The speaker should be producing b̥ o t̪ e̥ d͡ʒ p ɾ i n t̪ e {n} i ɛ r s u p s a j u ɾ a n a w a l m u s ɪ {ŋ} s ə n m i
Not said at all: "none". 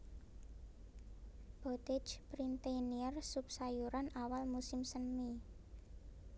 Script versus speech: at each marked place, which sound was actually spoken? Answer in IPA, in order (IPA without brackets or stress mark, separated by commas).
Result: n, m